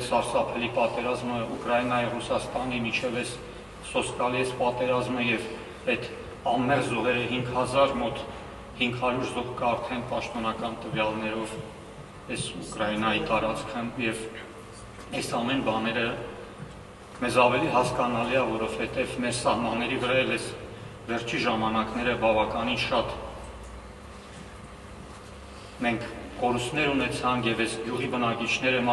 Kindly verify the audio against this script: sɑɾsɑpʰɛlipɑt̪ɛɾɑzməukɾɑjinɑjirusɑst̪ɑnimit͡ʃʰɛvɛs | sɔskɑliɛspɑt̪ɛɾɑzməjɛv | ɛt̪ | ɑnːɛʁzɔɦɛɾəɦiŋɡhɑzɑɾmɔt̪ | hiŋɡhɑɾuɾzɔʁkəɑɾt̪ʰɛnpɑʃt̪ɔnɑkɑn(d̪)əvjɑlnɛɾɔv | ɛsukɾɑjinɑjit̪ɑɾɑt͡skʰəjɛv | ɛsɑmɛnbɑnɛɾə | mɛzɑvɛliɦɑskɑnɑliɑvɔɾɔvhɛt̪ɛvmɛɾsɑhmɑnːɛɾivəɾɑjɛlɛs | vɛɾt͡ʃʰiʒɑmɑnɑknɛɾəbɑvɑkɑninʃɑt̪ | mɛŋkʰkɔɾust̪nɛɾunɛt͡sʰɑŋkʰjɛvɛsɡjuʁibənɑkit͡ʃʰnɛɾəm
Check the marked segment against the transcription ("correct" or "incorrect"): incorrect